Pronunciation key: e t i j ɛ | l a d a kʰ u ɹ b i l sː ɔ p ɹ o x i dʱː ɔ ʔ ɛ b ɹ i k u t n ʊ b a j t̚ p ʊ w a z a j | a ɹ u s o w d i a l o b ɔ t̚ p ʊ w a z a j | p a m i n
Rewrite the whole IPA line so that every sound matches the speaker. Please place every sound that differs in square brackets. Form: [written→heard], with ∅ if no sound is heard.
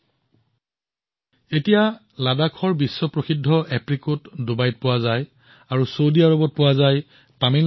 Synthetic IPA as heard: e t i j [ɛ→a] | l a d a kʰ [u→ɔ] ɹ b i [l→∅] sː ɔ p ɹ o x i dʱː ɔ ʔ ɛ [b→p] ɹ i k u t [n→d] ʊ b a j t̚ p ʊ w a z a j | a ɹ u s o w d i a [l→ɹ] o b ɔ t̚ p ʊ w a z a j | p a m i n